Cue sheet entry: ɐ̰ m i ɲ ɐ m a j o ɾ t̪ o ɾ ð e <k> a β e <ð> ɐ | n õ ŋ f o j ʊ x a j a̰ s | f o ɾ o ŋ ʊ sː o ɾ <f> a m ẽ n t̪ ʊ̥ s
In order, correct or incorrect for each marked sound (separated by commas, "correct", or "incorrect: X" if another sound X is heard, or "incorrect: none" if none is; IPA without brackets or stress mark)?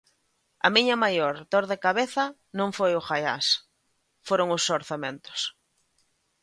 correct, incorrect: θ, incorrect: θ